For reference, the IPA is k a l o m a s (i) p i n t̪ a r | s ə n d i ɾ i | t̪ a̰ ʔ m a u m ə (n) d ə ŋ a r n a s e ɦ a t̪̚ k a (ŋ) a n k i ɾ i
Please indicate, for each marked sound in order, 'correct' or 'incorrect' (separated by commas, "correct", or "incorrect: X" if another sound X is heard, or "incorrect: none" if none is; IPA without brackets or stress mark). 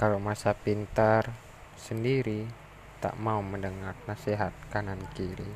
incorrect: a, correct, incorrect: n